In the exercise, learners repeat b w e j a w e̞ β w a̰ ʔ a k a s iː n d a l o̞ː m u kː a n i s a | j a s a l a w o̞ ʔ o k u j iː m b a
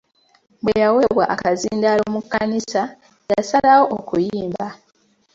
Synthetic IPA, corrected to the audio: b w e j a w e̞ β w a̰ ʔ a k a z iː n d a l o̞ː m u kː a n i s a | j a s a l a w o̞ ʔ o k u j iː m b a